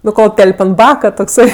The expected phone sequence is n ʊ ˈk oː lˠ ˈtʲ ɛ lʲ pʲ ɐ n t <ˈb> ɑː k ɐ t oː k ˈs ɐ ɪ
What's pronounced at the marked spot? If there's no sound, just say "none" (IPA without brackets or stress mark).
b